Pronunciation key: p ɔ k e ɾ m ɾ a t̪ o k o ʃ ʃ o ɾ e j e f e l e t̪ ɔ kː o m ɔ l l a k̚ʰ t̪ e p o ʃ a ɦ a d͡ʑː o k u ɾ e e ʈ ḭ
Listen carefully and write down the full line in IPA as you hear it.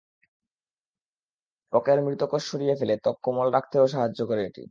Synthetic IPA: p ɔ k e ɾ m ɾ i t̪ o k o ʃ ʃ o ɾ i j e f e l e t̪ ɔ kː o m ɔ l ɾ a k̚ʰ t̪ e o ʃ a ɦ a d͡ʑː o k o ɾ e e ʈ ḭ